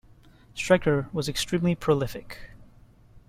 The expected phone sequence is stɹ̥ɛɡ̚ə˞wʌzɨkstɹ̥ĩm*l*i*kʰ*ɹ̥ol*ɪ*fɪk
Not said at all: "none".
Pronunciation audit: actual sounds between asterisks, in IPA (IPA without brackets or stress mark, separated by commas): l, pʰ, ɪ